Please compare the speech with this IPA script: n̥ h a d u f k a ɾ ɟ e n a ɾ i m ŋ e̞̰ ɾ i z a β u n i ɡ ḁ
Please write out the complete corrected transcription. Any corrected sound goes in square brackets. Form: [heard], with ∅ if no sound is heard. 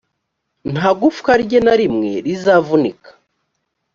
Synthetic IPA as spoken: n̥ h a [ɡ] u f k a ɾ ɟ e n a ɾ i m ŋ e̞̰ ɾ i z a [v] u n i [k] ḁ